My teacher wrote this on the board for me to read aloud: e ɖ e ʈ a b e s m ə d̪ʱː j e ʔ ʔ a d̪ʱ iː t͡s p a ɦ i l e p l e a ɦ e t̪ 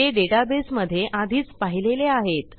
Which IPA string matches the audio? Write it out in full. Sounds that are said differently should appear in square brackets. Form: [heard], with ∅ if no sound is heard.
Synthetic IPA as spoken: e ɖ e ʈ a b e s m ə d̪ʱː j e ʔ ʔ a d̪ʱ iː t͡s p a ɦ i l e [∅] l e a ɦ e t̪